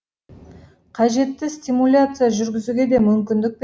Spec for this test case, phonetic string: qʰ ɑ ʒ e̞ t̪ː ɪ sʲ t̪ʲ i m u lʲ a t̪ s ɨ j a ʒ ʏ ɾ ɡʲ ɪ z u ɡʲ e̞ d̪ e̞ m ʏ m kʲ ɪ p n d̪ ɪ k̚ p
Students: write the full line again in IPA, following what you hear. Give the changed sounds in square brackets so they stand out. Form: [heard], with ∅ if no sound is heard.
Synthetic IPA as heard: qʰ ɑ ʒ e̞ t̪ː ɪ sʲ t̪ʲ i m u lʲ a t̪ s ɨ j a ʒ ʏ ɾ ɡʲ ɪ z u ɡʲ e̞ d̪ e̞ m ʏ m kʲ ɪ [∅] n d̪ ɪ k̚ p